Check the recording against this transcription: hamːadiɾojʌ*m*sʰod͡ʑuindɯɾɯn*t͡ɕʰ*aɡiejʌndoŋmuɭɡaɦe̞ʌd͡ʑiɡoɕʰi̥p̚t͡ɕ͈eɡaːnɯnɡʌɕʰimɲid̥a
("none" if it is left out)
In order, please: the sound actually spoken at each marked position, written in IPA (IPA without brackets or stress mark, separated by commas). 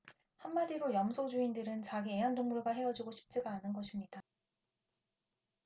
m, t͡ɕ